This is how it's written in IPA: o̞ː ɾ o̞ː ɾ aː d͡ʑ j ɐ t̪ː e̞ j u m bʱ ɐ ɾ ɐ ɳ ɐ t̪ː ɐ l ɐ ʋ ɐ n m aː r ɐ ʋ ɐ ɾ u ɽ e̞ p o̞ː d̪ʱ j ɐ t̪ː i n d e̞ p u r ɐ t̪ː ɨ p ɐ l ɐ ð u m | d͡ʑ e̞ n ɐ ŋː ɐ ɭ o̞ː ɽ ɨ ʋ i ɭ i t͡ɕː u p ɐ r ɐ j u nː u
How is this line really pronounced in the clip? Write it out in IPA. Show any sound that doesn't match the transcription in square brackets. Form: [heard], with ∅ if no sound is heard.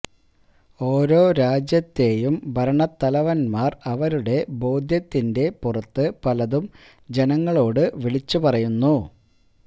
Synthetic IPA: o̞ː ɾ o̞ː ɾ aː d͡ʑ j ɐ t̪ː e̞ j u m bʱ ɐ ɾ ɐ ɳ ɐ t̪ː ɐ l ɐ ʋ ɐ n m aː r ɐ ʋ ɐ ɾ u ɽ e̞ [b] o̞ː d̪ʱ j ɐ t̪ː i n d e̞ p u r ɐ t̪ː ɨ p ɐ l ɐ ð u m | d͡ʑ e̞ n ɐ ŋː ɐ ɭ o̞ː ɽ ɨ ʋ i ɭ i t͡ɕː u p ɐ r ɐ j u nː u